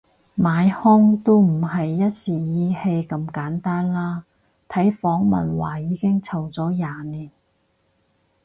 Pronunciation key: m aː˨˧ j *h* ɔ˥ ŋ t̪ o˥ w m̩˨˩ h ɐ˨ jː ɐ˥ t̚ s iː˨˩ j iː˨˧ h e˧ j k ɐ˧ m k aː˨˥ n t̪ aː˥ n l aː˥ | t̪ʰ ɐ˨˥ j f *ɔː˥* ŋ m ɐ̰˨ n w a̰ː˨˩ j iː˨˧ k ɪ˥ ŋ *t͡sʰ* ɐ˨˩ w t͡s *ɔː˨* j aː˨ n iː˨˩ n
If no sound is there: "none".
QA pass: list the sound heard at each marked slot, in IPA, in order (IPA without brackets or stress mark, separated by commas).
h, ɔː˨˥, t͡sʰ, ɔː˨˥